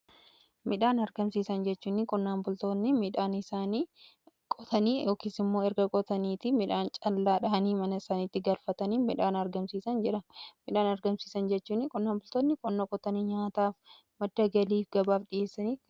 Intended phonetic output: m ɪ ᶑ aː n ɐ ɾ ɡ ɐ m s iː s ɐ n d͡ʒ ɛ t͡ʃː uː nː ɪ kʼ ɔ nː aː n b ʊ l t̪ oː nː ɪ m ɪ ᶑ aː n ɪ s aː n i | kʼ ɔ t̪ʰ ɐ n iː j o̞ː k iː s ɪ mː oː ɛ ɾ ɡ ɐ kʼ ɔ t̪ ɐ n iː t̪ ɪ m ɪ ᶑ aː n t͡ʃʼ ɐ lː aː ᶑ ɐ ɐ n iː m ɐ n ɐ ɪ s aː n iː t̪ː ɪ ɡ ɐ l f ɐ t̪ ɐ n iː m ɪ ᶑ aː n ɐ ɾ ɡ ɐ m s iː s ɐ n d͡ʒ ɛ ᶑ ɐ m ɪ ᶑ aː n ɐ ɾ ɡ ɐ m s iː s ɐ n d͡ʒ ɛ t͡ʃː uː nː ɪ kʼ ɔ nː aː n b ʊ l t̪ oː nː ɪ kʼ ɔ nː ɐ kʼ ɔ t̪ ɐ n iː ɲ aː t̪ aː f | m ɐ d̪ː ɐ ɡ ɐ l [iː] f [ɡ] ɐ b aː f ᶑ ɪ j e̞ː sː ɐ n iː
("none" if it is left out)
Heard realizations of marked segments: iː, ɡ

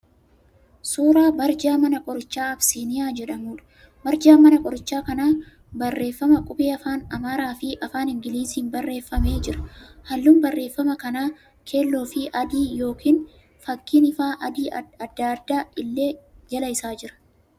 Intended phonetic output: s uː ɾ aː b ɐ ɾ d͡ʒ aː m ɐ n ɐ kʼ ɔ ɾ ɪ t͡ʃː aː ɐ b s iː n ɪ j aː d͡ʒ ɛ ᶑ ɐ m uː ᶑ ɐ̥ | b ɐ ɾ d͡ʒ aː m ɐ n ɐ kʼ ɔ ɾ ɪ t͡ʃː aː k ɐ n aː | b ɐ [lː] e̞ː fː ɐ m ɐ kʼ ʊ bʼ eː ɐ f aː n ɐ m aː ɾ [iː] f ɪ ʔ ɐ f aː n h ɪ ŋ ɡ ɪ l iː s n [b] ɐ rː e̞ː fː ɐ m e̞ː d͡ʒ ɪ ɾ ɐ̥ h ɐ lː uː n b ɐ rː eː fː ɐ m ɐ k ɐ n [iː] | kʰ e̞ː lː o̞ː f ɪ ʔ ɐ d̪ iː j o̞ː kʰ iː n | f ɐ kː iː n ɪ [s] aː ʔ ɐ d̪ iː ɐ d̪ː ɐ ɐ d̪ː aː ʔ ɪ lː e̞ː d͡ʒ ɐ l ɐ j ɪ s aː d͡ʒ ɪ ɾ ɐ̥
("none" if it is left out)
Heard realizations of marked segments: rː, aː, b, aː, f

